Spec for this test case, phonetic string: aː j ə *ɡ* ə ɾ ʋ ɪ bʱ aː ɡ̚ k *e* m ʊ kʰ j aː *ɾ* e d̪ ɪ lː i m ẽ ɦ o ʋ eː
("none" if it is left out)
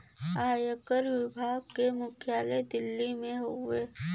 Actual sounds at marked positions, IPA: k, e, l

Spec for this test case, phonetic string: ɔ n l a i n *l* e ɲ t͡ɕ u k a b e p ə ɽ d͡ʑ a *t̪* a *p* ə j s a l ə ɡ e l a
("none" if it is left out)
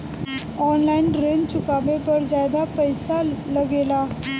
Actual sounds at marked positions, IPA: ɾ, d̪, p

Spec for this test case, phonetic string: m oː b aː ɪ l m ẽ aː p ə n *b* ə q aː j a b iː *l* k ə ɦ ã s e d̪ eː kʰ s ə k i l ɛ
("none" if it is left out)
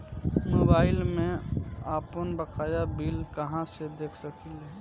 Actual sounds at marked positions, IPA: b, l

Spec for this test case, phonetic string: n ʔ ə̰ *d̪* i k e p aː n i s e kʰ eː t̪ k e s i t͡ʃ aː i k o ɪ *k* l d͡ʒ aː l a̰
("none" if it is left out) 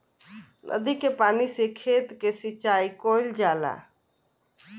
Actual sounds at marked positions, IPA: d̪, none

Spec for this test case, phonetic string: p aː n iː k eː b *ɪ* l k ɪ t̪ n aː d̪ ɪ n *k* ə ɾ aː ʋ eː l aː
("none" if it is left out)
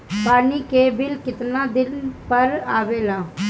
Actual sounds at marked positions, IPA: ɪ, p

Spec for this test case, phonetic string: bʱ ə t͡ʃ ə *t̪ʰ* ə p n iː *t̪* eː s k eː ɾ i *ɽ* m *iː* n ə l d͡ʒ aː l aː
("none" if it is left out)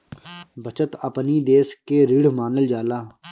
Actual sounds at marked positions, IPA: t̪, d̪, ɽ, aː

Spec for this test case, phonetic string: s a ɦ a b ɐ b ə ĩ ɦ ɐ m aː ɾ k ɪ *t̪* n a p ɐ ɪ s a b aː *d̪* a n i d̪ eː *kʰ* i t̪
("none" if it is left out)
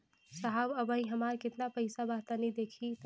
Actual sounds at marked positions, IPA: t̪, t̪, kʰ

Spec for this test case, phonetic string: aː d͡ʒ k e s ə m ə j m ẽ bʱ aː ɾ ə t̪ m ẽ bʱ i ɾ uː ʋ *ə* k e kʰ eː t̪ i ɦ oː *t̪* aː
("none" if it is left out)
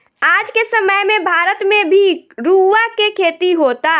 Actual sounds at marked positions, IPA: a, t̪

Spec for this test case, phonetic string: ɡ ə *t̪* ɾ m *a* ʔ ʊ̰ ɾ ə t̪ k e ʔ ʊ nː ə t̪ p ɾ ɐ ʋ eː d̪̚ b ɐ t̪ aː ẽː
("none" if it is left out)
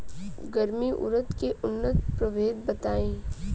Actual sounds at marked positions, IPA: none, i

